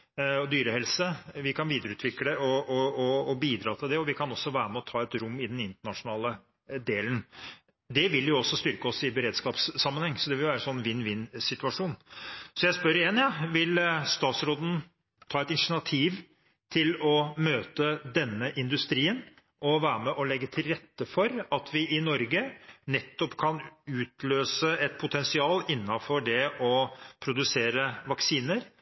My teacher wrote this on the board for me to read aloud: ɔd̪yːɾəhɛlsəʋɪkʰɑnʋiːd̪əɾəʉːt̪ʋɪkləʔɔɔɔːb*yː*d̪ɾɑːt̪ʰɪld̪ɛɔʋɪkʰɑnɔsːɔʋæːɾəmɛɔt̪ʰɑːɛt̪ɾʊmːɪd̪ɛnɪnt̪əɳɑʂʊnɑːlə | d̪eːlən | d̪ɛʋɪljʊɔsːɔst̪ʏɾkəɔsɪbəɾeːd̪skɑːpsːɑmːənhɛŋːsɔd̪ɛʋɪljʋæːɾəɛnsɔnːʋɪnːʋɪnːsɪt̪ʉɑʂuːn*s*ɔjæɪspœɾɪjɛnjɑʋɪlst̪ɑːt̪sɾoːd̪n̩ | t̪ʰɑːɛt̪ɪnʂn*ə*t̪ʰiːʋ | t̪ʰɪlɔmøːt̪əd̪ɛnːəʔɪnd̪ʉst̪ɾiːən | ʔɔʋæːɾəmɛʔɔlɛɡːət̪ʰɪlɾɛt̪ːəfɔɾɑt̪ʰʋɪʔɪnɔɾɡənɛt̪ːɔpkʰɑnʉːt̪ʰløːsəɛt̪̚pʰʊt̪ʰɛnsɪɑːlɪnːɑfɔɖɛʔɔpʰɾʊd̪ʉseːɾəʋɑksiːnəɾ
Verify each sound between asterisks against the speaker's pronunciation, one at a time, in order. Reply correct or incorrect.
incorrect: iː, correct, incorrect: ɑ

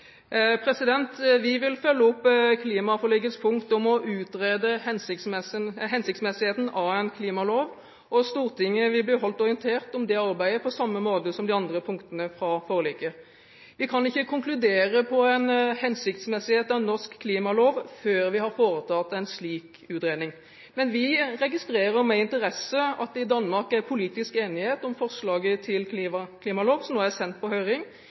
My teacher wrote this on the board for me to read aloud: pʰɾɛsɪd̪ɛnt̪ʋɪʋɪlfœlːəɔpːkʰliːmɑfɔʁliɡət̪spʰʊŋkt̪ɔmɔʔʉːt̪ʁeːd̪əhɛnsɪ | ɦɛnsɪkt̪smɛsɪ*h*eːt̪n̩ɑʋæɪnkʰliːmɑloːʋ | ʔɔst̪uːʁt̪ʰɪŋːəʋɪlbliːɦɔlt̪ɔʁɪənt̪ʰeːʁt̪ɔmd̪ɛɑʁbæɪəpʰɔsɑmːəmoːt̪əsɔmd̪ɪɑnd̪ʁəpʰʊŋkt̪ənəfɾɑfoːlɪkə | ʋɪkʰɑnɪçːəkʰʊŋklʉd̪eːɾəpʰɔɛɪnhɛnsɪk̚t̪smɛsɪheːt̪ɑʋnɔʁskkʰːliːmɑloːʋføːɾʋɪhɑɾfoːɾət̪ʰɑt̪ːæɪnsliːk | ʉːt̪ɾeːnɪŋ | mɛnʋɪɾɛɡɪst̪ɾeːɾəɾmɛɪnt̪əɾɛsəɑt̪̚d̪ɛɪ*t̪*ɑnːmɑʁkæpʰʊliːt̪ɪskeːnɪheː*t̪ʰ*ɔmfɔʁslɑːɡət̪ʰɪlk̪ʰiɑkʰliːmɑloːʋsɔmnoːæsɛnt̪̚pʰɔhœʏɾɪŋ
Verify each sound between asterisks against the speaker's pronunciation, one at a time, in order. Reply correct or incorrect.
correct, incorrect: d̪, incorrect: t̪

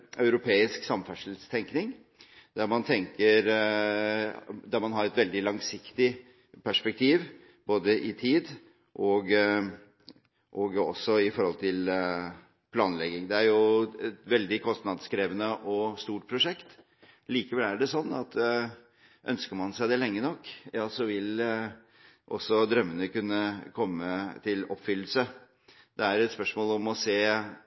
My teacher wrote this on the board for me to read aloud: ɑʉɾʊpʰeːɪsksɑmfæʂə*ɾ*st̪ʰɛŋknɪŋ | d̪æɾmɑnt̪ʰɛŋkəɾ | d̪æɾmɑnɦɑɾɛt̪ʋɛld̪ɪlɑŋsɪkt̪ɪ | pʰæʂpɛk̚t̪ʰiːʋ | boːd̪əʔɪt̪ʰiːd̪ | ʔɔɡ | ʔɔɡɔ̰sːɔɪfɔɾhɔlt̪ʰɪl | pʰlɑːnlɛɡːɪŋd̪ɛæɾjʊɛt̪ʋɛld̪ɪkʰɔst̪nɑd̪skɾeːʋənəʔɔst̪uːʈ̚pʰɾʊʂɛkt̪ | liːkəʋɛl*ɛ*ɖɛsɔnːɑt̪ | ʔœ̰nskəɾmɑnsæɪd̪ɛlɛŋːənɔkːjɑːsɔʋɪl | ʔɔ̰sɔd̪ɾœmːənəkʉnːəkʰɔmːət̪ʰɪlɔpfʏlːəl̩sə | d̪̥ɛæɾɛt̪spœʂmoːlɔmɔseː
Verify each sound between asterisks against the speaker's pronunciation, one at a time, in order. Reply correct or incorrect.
incorrect: l, incorrect: æ

